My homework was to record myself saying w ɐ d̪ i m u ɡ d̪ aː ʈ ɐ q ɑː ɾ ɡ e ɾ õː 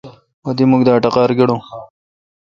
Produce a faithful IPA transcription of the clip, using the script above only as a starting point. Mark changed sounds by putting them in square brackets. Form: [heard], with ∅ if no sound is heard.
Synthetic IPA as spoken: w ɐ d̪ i m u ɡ d̪ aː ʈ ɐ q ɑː ɾ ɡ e [ɽ] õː